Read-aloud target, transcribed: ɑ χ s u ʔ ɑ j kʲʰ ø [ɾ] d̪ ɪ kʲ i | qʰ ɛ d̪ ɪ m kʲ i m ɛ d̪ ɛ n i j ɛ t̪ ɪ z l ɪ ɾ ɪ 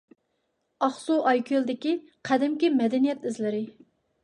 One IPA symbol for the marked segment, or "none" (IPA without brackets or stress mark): l